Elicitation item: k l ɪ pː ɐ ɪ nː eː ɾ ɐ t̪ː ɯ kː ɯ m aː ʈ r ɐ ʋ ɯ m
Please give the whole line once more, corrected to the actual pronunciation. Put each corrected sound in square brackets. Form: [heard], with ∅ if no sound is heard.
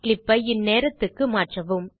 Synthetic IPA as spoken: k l ɪ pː ɐ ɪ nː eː ɾ ɐ t̪ː ɯ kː ɯ m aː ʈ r ɐ ʋ ɯ m